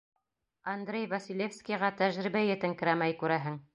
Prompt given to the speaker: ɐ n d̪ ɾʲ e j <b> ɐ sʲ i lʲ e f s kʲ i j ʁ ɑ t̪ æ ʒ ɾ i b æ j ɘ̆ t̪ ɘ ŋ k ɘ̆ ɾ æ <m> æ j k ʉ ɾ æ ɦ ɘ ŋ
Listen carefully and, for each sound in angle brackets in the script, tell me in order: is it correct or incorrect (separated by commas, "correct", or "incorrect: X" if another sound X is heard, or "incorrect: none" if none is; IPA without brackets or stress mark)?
incorrect: v, correct